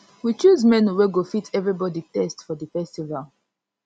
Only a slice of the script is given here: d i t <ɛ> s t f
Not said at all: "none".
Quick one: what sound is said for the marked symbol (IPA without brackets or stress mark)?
ɛ